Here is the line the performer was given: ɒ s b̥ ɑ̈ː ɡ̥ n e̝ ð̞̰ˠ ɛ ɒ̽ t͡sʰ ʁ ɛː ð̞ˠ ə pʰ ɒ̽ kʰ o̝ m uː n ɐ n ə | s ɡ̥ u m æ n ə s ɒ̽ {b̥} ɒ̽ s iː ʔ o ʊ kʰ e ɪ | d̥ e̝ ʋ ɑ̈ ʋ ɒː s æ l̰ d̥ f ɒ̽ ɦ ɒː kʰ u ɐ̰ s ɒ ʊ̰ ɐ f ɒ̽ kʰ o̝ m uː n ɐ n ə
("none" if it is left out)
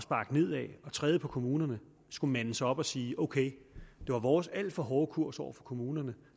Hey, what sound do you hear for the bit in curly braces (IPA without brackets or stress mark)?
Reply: b̥